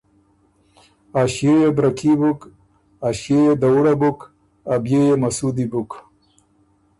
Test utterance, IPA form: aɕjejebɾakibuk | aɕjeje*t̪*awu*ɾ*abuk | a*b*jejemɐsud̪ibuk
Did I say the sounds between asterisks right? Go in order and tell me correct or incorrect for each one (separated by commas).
incorrect, incorrect, correct